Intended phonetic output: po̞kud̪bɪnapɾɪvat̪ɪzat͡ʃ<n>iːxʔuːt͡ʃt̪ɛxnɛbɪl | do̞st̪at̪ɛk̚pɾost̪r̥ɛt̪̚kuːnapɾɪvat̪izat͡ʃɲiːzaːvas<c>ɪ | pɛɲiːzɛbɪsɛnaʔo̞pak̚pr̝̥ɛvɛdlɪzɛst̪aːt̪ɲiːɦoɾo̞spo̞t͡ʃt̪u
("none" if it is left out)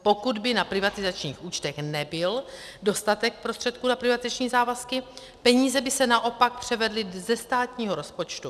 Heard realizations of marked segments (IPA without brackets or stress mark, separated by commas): ɲ, k